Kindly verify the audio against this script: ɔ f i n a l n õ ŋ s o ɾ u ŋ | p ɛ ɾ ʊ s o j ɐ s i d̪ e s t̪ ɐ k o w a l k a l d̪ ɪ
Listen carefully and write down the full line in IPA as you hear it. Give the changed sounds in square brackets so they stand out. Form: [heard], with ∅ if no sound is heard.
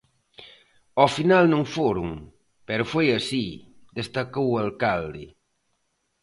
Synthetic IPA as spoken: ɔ f i n a l n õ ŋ [f] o ɾ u ŋ | p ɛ ɾ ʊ [f] o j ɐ s i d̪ e s t̪ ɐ k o w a l k a l d̪ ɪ